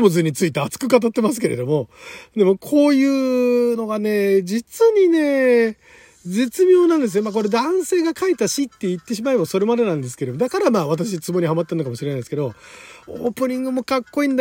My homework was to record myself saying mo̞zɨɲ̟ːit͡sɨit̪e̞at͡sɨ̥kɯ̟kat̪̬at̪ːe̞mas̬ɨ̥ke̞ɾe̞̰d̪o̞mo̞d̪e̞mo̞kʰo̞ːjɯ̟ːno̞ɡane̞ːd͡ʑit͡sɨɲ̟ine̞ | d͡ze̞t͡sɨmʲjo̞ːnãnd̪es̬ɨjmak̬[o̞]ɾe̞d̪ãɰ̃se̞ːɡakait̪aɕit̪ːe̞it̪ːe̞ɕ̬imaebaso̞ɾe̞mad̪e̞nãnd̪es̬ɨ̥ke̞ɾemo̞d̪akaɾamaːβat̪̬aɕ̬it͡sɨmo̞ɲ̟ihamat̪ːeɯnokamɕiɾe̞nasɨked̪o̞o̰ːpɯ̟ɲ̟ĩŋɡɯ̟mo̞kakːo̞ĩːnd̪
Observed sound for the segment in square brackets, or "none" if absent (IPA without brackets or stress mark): o̞